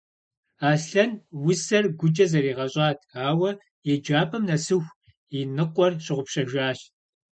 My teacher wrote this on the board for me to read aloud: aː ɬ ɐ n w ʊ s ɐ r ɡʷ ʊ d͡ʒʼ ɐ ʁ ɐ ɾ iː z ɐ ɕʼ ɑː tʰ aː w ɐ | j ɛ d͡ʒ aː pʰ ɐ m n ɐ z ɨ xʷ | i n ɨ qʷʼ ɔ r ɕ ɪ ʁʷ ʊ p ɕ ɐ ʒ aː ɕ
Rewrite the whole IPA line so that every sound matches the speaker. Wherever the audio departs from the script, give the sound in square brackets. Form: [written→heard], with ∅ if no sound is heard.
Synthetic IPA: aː ɬ ɐ n w ʊ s ɐ r ɡʷ ʊ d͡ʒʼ ɐ [ʁ→z] ɐ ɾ iː [z→ʁ] ɐ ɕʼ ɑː tʰ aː w ɐ | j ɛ d͡ʒ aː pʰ ɐ m n ɐ [z→s] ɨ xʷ | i n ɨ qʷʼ ɔ r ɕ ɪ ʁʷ ʊ p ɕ ɐ ʒ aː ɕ

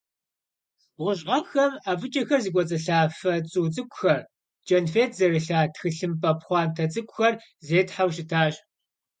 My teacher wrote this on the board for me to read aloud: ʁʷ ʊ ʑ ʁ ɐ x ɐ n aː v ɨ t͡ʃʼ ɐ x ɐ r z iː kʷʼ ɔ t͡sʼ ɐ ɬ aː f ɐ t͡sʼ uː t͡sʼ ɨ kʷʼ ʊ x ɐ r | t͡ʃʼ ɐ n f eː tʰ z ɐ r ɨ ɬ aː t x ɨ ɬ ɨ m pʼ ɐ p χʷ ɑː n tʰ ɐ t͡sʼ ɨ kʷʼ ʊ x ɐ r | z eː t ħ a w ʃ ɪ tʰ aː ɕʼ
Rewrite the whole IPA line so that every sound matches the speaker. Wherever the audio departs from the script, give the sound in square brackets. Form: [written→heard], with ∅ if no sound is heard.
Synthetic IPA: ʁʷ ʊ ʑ ʁ ɐ x ɐ [n→m] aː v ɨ t͡ʃʼ ɐ x ɐ r z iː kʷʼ ɔ t͡sʼ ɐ ɬ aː f ɐ t͡sʼ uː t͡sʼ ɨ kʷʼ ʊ x ɐ r | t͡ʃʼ ɐ n f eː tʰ z ɐ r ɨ ɬ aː t x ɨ ɬ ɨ m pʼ ɐ p χʷ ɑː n tʰ ɐ t͡sʼ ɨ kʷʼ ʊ x ɐ r | z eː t ħ a w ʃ ɪ tʰ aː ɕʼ

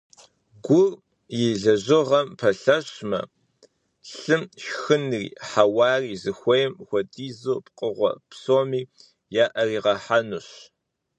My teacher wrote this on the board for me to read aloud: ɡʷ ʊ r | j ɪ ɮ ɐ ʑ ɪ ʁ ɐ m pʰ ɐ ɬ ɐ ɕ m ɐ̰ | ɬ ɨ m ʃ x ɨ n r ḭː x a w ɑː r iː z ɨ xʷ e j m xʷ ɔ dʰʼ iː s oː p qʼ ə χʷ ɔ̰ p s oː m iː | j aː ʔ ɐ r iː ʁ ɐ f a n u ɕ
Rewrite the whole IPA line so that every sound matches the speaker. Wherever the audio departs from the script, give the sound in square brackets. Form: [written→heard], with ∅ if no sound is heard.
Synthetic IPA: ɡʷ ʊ r | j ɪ ɮ ɐ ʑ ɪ ʁ ɐ m pʰ ɐ ɬ ɐ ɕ m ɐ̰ | ɬ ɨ m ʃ x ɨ n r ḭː [x→ħ] a w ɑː r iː z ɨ xʷ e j m xʷ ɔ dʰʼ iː [s→z] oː p qʼ ə [χʷ→ʁʷ] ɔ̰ p s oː m iː | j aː ʔ ɐ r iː ʁ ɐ [f→ħ] a n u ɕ

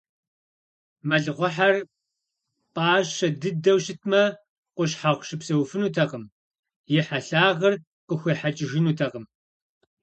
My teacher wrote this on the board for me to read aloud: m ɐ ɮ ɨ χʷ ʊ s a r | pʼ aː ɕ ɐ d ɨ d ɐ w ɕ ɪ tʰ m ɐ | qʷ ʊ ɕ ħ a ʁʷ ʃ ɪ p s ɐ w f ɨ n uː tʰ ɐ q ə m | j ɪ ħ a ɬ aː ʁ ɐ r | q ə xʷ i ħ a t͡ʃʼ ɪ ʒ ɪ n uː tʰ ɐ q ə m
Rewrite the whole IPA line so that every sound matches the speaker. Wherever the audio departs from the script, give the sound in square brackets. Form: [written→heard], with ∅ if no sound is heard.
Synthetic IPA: m ɐ ɮ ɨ [χʷ→ʁʷ] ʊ [s→ħ] a r | pʼ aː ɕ ɐ d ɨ d ɐ w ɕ ɪ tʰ m ɐ | qʷ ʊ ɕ ħ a ʁʷ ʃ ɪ p s ɐ w f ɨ n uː tʰ ɐ q ə m | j ɪ ħ a ɬ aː ʁ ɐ r | q ə xʷ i ħ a t͡ʃʼ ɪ ʒ ɪ n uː tʰ ɐ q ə m

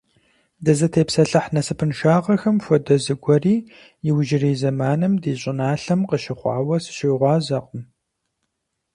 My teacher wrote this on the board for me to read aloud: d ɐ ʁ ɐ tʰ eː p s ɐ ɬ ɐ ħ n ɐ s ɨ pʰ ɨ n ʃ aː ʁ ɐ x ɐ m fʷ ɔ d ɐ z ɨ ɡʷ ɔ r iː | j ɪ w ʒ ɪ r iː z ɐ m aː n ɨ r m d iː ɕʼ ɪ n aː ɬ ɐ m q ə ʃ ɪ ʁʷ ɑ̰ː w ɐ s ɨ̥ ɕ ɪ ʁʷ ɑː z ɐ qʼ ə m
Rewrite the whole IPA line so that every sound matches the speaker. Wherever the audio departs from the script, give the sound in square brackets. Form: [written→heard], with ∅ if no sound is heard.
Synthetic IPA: d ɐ [ʁ→z] ɐ tʰ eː p s ɐ ɬ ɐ ħ n ɐ s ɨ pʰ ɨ n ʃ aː ʁ ɐ x ɐ m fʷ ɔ d ɐ z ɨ ɡʷ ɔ r iː | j ɪ w ʒ ɪ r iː z ɐ m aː n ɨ [r→∅] m d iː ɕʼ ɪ n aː ɬ ɐ m q ə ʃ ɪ [ʁʷ→χʷ] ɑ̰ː w ɐ s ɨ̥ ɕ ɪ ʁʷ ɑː z ɐ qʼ ə m

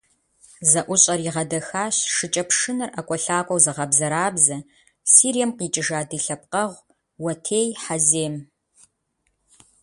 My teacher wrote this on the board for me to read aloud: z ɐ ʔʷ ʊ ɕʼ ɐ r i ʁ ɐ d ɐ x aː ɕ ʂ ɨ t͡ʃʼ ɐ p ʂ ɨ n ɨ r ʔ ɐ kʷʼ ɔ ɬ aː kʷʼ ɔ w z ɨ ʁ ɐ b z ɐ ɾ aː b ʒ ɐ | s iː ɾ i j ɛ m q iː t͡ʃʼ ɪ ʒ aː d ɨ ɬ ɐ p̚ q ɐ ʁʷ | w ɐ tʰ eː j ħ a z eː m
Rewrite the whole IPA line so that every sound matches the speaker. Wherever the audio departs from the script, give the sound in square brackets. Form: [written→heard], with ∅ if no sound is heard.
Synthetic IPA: z ɐ ʔʷ ʊ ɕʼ ɐ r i ʁ ɐ d ɐ x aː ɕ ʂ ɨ t͡ʃʼ ɐ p ʂ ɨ n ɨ r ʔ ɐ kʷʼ ɔ ɬ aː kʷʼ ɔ w z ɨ ʁ ɐ b z ɐ ɾ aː b [ʒ→z] ɐ | s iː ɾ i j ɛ m q iː t͡ʃʼ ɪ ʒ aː d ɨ ɬ ɐ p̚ q ɐ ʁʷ | w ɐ tʰ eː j ħ a z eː m

